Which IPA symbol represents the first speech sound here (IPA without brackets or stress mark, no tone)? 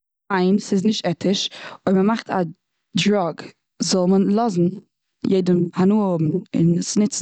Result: a